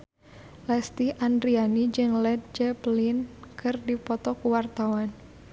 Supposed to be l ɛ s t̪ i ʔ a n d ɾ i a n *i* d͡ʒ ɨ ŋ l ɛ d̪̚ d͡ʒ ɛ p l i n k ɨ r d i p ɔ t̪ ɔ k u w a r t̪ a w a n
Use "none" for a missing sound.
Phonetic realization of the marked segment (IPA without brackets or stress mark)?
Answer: i